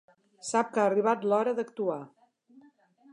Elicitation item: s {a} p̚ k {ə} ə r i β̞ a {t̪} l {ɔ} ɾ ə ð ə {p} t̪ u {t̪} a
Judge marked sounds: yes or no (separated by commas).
yes, no, yes, yes, no, no